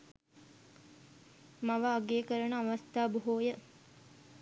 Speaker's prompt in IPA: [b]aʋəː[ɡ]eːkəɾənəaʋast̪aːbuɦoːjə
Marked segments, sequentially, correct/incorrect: incorrect, correct

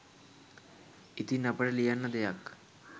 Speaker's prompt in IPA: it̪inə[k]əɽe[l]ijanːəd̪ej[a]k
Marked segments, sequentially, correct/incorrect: incorrect, correct, correct

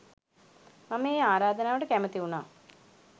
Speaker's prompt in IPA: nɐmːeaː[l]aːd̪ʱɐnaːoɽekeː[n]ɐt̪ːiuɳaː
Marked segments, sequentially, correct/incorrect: incorrect, incorrect

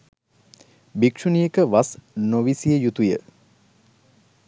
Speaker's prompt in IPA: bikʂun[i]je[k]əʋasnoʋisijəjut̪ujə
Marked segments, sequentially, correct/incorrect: correct, correct

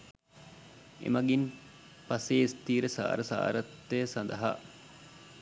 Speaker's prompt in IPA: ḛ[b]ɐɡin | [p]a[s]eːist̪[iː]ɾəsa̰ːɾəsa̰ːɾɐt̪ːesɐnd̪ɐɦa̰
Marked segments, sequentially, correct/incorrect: incorrect, correct, correct, correct

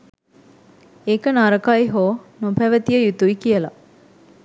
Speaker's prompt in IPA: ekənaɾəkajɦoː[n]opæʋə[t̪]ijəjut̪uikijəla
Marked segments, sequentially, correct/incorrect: correct, correct

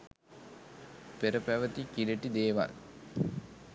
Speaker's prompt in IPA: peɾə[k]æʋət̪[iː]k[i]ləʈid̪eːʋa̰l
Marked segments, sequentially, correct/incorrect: incorrect, incorrect, correct

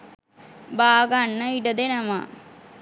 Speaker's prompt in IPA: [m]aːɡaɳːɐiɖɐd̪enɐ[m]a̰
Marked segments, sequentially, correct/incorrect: incorrect, correct

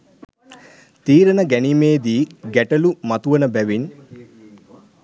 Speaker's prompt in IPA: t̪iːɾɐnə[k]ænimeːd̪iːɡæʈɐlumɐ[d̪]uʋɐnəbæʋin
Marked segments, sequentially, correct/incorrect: incorrect, incorrect

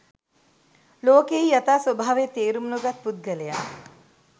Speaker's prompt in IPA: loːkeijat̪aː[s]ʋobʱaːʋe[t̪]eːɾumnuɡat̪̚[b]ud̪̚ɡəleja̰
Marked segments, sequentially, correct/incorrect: correct, correct, incorrect

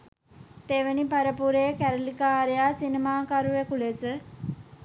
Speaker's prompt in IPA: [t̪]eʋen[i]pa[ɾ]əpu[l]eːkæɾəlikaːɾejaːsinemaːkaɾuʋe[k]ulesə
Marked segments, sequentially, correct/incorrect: correct, correct, correct, incorrect, correct

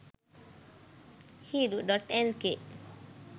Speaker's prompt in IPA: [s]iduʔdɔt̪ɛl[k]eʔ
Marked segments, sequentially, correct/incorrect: incorrect, correct

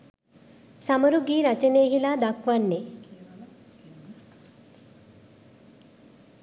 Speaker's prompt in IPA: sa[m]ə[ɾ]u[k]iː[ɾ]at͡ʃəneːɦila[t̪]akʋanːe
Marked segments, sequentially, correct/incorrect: correct, correct, incorrect, correct, incorrect

